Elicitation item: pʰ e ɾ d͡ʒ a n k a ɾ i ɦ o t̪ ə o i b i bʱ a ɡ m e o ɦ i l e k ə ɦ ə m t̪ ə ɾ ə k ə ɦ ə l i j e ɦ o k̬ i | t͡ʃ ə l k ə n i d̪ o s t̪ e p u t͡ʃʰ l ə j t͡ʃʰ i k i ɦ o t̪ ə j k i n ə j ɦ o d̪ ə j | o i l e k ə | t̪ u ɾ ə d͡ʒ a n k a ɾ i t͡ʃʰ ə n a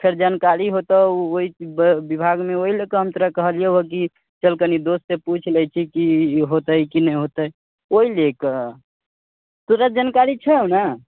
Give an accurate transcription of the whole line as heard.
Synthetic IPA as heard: pʰ e ɾ d͡ʒ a n k a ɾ i ɦ o t̪ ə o i b i bʱ a ɡ m e o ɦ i l e k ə ɦ ə m t̪ ə ɾ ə k ə ɦ ə l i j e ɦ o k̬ i | t͡ʃ ə l k ə n i d̪ o s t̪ e p u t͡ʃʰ l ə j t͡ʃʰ i k i ɦ o t̪ ə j k i n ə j ɦ o t̪ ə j | o i l e k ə | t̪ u ɾ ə d͡ʒ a n k a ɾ i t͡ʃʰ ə n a